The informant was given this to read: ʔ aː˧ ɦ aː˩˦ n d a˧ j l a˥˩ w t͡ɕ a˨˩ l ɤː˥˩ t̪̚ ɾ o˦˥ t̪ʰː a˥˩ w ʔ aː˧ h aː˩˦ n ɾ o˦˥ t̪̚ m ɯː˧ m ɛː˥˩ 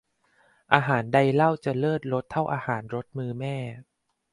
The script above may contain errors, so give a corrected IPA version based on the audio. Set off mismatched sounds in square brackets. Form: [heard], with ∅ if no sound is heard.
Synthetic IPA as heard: ʔ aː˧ ɦ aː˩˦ n d a˧ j l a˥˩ w t͡ɕ a˨˩ l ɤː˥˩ t̪̚ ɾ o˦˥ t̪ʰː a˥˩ w ʔ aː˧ h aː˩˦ n ɾ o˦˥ t̪̚ m ɯː˧ m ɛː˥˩